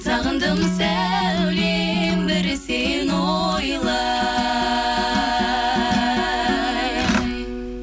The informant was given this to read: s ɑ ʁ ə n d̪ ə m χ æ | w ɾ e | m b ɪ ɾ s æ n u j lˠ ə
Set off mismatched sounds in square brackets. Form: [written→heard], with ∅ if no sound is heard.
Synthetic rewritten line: s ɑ ʁ ə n d̪ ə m [χ→s] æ | w [ɾ→l] e | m b ɪ ɾ s [æ→e] n [u→o] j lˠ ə